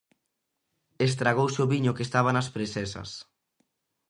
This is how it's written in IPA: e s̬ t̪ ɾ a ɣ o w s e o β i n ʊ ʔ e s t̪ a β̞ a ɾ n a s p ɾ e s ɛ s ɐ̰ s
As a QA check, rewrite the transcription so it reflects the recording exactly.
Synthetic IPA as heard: e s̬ t̪ ɾ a ɣ o w s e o β i ɲ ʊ k e s t̪ a β̞ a n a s p ɾ e s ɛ s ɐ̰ s